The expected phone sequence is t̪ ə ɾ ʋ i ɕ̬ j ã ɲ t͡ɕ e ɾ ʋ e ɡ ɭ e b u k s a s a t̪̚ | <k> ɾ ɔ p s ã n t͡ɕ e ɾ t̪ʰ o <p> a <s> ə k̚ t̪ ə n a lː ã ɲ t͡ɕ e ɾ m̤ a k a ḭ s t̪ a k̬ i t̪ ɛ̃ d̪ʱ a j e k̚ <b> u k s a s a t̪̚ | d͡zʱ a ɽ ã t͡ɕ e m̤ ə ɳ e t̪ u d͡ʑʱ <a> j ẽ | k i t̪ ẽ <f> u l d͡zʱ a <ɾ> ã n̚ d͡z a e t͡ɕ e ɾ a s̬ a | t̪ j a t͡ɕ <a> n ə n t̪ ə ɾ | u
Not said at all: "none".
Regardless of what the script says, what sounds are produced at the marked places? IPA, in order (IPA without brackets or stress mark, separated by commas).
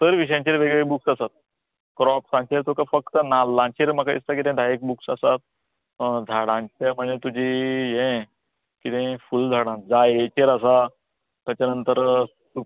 k, k, f, b, i, f, ɽ, a